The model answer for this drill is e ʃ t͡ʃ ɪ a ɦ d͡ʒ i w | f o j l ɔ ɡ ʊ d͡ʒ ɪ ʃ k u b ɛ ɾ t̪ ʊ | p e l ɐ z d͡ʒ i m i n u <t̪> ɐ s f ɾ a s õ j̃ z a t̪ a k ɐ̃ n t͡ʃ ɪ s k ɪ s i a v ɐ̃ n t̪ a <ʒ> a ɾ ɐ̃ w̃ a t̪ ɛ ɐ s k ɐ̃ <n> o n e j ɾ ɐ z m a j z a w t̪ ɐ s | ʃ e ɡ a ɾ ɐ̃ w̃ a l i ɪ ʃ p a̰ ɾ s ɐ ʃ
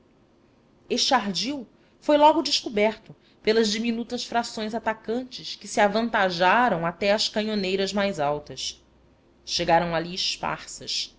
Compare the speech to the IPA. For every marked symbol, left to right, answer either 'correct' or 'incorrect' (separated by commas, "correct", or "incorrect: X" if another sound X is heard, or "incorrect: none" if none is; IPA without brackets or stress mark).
correct, correct, incorrect: ɲ